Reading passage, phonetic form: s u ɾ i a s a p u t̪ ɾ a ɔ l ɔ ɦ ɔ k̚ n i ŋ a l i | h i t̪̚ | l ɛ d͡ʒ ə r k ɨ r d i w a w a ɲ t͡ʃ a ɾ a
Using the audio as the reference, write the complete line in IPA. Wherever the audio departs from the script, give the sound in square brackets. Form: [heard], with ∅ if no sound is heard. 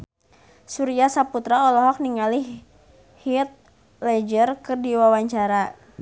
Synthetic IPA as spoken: s u ɾ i a s a p u t̪ ɾ a ɔ l ɔ ɦ ɔ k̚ n i ŋ a l i | h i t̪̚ | l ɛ d͡ʒ ə r k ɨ r d i w a w a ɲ t͡ʃ a ɾ a